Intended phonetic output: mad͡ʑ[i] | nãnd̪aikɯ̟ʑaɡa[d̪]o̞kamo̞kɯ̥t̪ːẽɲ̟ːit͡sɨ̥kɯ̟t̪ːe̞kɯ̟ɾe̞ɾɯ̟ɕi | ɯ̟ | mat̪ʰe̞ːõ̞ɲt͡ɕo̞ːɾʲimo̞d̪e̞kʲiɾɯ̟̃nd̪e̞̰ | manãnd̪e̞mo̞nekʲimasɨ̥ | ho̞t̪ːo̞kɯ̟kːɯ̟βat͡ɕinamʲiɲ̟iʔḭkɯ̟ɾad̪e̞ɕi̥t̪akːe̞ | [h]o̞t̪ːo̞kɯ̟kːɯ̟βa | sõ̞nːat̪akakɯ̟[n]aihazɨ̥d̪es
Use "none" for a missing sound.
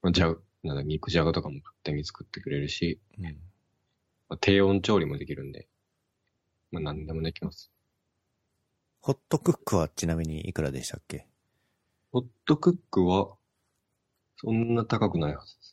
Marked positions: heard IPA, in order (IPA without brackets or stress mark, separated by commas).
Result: a, t̪, h, n